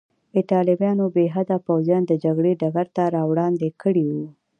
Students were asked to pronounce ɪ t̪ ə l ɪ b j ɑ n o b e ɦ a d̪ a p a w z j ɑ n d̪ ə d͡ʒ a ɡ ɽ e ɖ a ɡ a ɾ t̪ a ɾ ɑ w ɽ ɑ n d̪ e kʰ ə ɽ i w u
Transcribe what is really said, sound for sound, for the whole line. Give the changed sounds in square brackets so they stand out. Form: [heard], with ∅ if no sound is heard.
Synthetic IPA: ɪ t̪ [ɑ] l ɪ b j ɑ n o b e ɦ a d̪ a p a w z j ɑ n d̪ ə d͡ʒ a ɡ ɽ e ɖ a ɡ a ɾ t̪ a ɾ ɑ w ɽ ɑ n d̪ e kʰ ə ɽ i w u

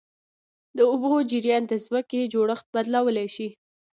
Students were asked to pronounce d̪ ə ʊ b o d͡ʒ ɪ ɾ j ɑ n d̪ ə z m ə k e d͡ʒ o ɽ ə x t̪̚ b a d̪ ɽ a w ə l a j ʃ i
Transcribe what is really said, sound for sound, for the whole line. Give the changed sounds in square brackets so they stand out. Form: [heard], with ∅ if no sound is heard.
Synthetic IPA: d̪ ə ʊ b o d͡ʒ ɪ ɾ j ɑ n d̪ ə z m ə k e d͡ʒ o ɽ ə x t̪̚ b a d̪ [l] a w ə l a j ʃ i

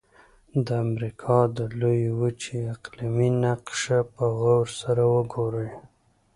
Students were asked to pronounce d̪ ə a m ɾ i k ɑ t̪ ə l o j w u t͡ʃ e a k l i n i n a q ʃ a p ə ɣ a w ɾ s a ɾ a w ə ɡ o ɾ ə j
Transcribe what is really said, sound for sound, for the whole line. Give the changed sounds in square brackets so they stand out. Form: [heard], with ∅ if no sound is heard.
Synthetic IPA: d̪ ə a m ɾ i [kʰ] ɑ [d̪] ə l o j w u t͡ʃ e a [q] l i [m] i n a q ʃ a p ə ɣ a w ɾ s a ɾ a w ə ɡ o ɾ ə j

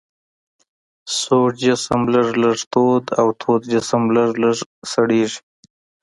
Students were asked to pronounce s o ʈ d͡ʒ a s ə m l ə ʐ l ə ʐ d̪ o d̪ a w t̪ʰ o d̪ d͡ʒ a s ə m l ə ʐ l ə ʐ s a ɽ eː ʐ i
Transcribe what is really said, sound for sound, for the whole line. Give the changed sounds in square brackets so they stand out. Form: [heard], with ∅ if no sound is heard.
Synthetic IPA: s o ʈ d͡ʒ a s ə m l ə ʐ l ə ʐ [t̪] o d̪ a w t̪ʰ o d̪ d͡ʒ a s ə m l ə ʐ l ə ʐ s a ɽ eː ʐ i

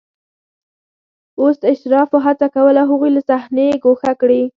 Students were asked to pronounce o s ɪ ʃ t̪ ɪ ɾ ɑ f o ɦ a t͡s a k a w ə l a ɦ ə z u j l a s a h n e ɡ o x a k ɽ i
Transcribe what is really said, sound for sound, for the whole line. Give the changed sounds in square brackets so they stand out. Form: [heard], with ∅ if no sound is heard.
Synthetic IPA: o s ɪ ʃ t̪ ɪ ɾ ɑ f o ɦ a t͡s a k a w ə l a ɦ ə [ɣ] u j l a s a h n e ɡ o x a k ɽ i

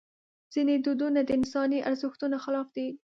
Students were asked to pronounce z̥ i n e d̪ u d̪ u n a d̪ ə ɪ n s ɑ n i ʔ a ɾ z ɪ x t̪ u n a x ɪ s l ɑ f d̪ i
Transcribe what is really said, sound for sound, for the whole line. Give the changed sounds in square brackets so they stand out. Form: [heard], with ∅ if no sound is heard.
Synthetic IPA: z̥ i n e d̪ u d̪ u n a d̪ ə ɪ n s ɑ n i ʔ a ɾ z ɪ x t̪ u n a x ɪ [∅] l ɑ f d̪ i

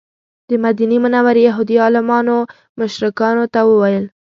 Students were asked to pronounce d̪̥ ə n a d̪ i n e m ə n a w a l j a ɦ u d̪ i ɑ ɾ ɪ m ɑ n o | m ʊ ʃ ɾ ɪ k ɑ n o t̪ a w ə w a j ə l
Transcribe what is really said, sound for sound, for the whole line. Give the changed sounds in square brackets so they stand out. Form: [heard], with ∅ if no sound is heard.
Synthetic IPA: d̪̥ ə [m] a d̪ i n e m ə n a w a [ɾ] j a ɦ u d̪ i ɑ [l] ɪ m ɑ n o | m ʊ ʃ ɾ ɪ k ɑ n o t̪ a w ə w a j ə l

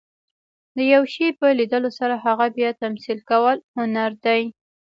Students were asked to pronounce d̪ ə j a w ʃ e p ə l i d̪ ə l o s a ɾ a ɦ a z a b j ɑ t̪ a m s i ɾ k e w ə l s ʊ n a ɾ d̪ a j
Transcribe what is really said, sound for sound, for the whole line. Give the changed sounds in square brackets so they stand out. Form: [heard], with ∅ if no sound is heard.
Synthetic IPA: d̪ ə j a w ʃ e p ə l i d̪ ə l o s a ɾ a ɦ a [ɣ] a b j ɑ t̪ a m s i [l] k [a] w ə l [h] ʊ n a ɾ d̪ a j

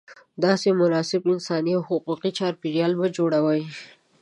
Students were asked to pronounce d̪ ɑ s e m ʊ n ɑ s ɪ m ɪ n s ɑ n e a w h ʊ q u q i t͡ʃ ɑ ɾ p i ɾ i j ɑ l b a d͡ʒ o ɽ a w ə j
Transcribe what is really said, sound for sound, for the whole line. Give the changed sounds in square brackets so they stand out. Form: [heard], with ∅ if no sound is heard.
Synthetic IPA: d̪ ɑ s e m ʊ n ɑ s ɪ [b] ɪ n s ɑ n [i] a w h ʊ q u q i t͡ʃ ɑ ɾ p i ɾ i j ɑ l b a d͡ʒ o ɽ a w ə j

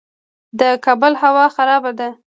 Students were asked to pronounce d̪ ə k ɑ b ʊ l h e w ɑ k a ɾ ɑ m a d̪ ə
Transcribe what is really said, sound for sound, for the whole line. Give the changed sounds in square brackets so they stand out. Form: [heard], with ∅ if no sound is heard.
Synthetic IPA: d̪ ə k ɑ b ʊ l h [a] w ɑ [x] a ɾ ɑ [b] a d̪ [a]

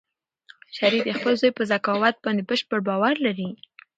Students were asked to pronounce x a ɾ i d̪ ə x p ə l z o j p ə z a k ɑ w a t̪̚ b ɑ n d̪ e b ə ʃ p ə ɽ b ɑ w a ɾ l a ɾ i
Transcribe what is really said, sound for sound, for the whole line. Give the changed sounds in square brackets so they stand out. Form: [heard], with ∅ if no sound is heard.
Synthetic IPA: [ʃ] a ɾ i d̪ ə x p ə l z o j p ə z a k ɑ w a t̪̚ b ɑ n d̪ e b ə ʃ p ə ɽ b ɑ w a ɾ l a ɾ i

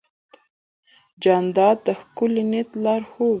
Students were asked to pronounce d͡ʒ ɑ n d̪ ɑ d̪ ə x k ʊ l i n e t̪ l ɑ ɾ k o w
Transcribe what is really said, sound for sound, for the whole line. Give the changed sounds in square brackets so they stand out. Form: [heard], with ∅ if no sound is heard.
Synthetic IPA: d͡ʒ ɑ n d̪ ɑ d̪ ə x k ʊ l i n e t̪ l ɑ ɾ [x] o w

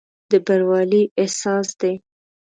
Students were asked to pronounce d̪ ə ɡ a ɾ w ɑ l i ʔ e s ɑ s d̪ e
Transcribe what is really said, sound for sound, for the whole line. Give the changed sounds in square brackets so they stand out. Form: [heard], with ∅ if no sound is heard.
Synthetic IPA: d̪ ə [b] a ɾ w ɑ l i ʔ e s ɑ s d̪ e

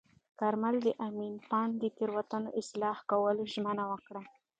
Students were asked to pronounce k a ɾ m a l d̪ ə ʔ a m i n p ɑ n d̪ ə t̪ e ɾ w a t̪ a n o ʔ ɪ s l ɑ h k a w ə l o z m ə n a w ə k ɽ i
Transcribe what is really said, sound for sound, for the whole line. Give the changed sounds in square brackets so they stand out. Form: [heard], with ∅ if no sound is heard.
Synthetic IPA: k a ɾ m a l d̪ ə ʔ a m i n p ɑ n d̪ ə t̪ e ɾ w a t̪ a n o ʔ ɪ s l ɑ h k a w ə l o [ʒ] m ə n a w ə k ɽ [a]

